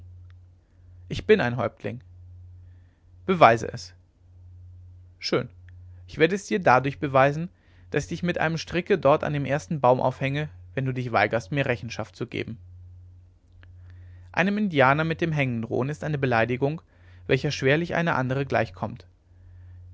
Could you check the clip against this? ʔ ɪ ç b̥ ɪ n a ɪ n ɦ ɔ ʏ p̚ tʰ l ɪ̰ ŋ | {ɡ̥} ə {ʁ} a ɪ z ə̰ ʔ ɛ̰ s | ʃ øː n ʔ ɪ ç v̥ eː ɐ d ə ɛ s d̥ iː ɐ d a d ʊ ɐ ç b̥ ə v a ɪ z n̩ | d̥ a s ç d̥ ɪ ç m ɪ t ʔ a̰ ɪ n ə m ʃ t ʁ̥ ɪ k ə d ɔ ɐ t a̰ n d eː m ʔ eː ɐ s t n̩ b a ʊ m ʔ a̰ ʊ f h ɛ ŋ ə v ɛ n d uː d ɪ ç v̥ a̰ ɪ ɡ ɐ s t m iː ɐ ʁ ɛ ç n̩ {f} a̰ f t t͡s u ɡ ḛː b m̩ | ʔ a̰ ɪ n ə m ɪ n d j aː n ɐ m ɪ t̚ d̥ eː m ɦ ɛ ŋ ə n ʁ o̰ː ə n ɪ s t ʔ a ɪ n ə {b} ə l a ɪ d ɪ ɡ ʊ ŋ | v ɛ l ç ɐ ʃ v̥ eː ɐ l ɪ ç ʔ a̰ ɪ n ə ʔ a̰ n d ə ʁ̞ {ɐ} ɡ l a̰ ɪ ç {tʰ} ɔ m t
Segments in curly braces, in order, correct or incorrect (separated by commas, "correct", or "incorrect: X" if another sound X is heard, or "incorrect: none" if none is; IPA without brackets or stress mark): incorrect: b̥, incorrect: v, incorrect: ʃ, correct, incorrect: ə, incorrect: kʰ